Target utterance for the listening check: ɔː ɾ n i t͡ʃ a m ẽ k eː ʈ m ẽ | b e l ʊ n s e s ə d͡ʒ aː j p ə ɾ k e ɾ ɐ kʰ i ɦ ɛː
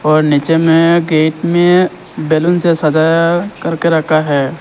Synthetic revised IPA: ɔː ɾ n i t͡ʃ e m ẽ ɡ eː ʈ m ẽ | b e l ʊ n s e s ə d͡ʒ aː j k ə ɾ k e ɾ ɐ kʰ a ɦ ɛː